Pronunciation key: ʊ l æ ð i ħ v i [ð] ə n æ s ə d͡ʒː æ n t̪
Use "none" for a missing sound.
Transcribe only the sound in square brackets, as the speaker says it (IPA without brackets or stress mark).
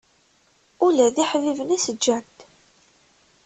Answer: v